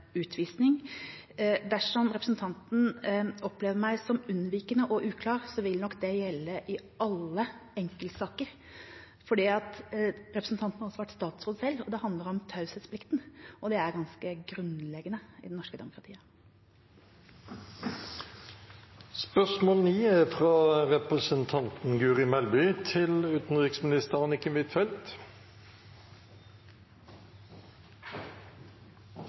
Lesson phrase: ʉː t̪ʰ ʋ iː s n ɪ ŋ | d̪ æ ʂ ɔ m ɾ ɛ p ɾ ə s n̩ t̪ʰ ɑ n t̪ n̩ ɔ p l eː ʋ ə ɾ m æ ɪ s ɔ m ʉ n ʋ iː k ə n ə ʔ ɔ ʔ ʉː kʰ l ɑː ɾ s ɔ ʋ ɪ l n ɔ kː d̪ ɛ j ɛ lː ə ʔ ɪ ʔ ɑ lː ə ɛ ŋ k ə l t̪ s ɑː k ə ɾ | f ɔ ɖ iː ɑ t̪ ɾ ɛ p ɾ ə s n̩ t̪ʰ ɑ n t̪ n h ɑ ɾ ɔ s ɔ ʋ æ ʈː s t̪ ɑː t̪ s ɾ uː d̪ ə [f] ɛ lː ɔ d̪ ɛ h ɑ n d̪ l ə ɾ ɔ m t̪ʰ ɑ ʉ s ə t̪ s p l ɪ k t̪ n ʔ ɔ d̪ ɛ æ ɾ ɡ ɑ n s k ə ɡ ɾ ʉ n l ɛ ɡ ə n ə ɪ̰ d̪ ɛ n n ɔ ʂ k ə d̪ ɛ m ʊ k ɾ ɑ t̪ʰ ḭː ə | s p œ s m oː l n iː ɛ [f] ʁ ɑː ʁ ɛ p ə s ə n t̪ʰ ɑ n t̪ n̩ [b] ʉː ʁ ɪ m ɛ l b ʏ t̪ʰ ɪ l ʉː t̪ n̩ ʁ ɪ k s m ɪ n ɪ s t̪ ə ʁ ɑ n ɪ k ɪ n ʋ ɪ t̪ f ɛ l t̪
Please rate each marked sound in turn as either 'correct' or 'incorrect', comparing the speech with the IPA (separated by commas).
incorrect, correct, incorrect